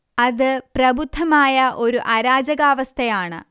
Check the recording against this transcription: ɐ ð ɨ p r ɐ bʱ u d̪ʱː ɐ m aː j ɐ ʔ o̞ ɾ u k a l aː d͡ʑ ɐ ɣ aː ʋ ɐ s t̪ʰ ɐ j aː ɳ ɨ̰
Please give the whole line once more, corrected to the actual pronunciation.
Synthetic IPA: ɐ ð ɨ p r ɐ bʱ u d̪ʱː ɐ m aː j ɐ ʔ o̞ ɾ u ʔ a ɾ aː d͡ʑ ɐ ɣ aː ʋ ɐ s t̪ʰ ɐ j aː ɳ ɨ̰